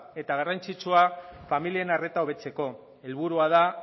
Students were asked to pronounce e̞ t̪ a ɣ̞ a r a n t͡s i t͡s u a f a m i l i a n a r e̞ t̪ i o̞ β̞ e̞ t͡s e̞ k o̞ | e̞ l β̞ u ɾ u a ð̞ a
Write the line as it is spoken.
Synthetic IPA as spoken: e̞ t̪ a ɣ̞ a r a n t͡s i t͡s u a f a m i l i e n a r e̞ t̪ a o̞ β̞ e̞ t͡s e̞ k o̞ | e̞ l β̞ u ɾ u a ð̞ a